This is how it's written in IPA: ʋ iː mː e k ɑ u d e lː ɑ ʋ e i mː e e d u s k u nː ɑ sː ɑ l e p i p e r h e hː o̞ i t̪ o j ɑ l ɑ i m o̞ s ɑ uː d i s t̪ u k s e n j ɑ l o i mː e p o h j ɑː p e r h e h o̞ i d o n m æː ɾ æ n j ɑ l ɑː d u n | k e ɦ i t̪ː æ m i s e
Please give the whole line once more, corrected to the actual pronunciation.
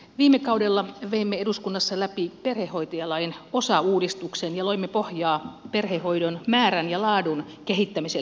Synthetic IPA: ʋ iː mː e k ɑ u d e lː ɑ ʋ e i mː e e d u s k u nː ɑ sː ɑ l æ p i p e r h e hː o̞ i t̪ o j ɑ l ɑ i n o̞ s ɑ uː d i s t̪ u k s e n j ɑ l o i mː e p o h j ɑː p e r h e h o̞ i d o n m æː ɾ æ n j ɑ l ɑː d u n | k e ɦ i t̪ː æ m i s e